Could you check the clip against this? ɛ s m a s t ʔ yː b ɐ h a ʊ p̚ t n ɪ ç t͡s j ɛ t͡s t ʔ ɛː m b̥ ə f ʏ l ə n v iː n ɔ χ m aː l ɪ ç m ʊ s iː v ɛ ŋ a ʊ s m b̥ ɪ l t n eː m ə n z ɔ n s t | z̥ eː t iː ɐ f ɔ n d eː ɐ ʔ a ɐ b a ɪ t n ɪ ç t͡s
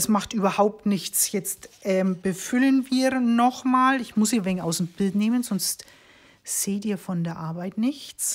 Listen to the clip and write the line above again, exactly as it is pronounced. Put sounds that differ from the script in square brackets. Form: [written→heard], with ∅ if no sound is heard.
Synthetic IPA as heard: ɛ s m a [s→χ] t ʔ yː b ɐ h a ʊ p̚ t n ɪ ç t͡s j ɛ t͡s t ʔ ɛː m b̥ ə f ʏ l ə n v iː n ɔ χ m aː l ɪ ç m ʊ s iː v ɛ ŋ a ʊ s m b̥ ɪ l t n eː m ə n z ɔ n s t | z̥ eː t iː ɐ f ɔ n d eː ɐ ʔ a ɐ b a ɪ t n ɪ ç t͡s